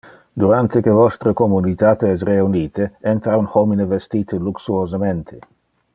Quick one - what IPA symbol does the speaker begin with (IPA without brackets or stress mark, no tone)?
d̪